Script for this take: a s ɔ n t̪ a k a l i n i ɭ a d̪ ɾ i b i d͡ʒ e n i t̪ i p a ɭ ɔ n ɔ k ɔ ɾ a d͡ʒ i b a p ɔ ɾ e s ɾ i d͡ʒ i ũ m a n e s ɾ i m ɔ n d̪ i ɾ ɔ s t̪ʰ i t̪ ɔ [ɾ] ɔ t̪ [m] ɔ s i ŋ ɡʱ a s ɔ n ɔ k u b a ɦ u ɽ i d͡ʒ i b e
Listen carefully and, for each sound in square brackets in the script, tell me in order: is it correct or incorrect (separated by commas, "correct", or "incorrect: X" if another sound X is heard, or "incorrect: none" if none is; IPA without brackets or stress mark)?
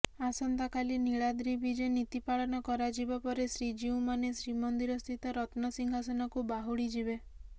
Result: correct, incorrect: n